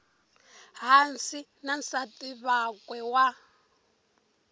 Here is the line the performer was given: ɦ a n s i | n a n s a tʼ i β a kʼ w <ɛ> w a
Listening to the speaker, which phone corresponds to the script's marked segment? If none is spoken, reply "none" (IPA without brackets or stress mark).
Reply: ɛ